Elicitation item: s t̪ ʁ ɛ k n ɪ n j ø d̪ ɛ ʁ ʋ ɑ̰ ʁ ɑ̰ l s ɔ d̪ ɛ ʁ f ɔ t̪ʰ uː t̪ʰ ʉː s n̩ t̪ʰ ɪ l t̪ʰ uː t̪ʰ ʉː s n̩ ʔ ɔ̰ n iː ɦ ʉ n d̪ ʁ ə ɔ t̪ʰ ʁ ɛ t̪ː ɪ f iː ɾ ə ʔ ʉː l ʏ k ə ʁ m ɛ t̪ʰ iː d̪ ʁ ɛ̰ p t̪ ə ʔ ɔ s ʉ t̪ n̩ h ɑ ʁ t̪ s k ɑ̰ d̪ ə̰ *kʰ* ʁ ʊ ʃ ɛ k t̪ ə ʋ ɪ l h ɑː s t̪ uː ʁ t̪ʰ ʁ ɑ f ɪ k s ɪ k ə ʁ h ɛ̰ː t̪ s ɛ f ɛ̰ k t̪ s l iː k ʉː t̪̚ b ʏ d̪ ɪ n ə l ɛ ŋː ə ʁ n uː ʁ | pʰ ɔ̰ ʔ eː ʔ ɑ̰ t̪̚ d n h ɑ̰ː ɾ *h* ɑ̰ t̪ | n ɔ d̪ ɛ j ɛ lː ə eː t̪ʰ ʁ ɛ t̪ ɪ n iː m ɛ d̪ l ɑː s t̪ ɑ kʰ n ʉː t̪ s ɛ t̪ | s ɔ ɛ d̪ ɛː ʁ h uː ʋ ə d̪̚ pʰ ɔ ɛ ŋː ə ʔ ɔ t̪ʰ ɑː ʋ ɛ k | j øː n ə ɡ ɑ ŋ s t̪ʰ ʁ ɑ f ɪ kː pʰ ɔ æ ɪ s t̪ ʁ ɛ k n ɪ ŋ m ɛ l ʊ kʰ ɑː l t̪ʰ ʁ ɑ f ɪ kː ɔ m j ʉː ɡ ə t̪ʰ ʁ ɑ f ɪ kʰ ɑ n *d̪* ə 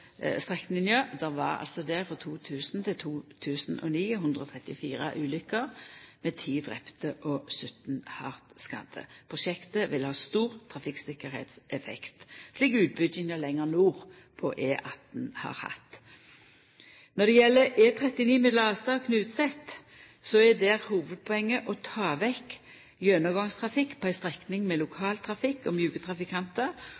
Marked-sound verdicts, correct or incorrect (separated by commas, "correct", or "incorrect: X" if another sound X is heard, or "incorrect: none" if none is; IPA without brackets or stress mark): incorrect: pʰ, correct, incorrect: t̪